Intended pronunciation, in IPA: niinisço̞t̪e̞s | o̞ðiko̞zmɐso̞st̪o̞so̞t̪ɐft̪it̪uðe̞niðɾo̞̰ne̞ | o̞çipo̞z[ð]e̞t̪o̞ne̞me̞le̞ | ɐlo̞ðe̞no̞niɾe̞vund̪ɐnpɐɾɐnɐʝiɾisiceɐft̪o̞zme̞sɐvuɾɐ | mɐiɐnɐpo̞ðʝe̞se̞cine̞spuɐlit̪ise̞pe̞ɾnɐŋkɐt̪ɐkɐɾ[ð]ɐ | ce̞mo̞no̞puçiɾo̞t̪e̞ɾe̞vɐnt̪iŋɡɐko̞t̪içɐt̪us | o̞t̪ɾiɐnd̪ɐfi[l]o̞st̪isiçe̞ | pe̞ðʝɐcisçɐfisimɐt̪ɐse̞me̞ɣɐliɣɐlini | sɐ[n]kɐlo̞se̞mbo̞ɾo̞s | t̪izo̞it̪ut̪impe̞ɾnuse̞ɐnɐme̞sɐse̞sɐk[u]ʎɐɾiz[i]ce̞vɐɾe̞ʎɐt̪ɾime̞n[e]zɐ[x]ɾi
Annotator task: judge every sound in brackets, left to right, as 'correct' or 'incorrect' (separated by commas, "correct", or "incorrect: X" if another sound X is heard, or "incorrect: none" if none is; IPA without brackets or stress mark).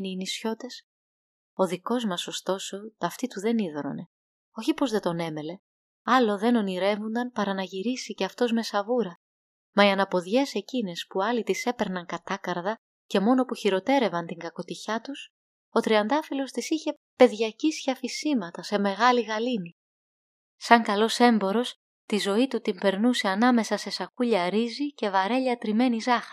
correct, correct, correct, incorrect: ŋ, correct, correct, incorrect: i, correct